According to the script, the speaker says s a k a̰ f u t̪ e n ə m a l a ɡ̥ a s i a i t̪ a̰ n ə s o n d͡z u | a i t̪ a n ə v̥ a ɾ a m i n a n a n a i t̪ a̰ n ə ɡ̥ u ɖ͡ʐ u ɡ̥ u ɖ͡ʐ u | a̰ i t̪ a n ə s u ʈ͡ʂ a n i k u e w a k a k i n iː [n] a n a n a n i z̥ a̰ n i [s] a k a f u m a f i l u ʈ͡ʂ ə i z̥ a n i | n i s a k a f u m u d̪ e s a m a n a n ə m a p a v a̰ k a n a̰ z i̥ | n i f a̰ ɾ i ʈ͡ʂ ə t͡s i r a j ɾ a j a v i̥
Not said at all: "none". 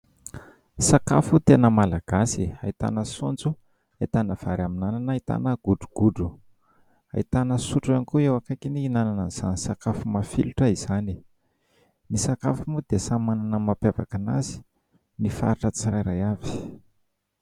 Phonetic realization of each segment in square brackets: n, s

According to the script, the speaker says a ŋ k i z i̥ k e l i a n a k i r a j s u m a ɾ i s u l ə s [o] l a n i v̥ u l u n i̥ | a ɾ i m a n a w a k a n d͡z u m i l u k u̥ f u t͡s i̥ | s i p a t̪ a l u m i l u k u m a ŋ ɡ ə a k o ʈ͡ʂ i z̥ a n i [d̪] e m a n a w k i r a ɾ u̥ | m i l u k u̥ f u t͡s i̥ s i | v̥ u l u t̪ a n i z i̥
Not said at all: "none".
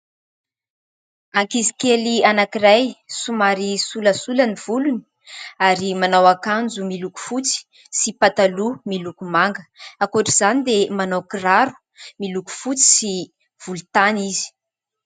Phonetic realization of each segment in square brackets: u, d̪

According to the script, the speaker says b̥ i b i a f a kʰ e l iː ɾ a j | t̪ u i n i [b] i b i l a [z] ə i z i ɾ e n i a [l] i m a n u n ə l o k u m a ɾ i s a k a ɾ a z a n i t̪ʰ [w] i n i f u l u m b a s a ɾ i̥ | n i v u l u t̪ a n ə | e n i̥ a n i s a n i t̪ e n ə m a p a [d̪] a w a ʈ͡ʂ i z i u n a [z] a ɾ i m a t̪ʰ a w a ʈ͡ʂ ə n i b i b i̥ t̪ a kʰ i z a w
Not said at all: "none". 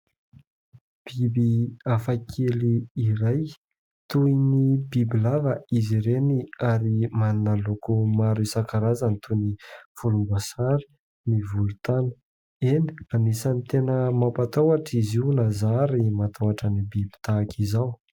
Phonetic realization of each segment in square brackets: b, v, ɾ, u, t̪, z

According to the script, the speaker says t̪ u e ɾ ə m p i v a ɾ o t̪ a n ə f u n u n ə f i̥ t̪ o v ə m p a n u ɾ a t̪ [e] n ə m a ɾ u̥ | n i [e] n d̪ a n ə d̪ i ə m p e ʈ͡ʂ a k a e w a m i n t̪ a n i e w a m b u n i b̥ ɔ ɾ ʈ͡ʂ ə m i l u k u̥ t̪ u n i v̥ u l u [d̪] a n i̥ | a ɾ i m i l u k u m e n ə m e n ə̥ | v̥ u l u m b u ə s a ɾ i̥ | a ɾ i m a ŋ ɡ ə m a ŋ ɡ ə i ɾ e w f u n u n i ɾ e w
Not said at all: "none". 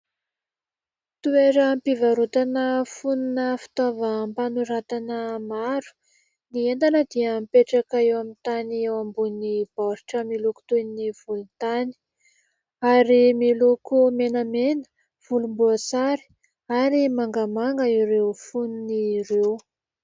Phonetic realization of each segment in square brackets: a, e, t̪

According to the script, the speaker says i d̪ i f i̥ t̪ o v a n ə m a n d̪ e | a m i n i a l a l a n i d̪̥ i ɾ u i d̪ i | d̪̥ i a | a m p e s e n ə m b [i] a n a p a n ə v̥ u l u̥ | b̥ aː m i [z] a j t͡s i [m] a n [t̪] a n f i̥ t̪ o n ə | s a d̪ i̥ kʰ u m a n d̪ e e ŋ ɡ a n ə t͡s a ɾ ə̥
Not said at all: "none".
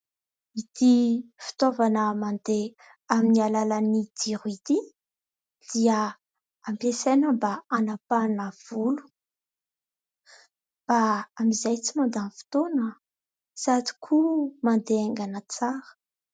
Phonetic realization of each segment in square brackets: a, z, m, d̪

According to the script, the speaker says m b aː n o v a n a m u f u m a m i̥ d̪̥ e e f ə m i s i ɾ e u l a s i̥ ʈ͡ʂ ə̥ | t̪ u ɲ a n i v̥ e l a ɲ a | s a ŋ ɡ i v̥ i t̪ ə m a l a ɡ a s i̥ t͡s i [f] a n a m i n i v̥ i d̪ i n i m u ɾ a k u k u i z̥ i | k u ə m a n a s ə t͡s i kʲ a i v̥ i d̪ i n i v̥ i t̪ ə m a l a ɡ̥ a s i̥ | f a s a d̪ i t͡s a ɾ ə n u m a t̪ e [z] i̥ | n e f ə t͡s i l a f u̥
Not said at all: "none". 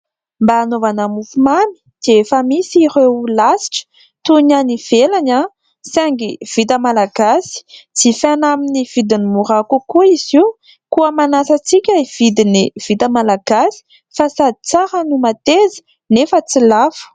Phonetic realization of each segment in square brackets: f, z

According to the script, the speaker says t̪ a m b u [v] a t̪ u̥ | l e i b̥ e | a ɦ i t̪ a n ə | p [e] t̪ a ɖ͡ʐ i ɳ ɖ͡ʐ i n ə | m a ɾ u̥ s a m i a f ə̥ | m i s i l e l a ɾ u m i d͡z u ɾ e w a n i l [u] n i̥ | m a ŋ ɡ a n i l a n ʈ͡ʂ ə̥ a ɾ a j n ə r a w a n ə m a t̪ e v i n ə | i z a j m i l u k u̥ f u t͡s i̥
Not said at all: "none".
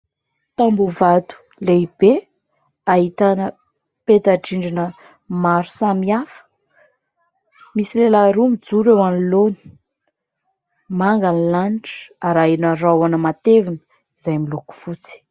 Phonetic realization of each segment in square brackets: v, e, o

